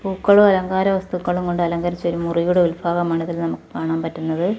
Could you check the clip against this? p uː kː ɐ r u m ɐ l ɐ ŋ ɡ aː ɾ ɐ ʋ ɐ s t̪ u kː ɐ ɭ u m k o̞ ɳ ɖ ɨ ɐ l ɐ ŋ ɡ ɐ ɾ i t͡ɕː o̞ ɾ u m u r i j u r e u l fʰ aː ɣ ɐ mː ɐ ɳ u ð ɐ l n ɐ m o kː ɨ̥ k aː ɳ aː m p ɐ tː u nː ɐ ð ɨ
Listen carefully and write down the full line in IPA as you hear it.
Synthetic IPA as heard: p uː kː ɐ ɭ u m ɐ l ɐ ŋ ɡ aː ɾ ɐ ʋ ɐ s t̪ u kː ɐ ɭ u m k o̞ ɳ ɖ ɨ ɐ l ɐ ŋ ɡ ɐ ɾ i t͡ɕː o̞ ɾ u m u r i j u ɽ e u l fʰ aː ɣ ɐ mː ɐ ɳ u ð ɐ l n ɐ m u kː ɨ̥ k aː ɳ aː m p ɐ tː u nː ɐ ð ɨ

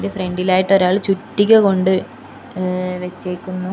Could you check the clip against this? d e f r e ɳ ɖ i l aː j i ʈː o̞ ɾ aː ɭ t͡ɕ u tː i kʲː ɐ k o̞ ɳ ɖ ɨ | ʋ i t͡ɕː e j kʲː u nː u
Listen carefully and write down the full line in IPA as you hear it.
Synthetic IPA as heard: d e f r e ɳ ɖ i l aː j i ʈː o̞ ɾ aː ɭ t͡ɕ u tː i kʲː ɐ k o̞ ɳ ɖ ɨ | ʋ e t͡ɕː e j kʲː u nː u

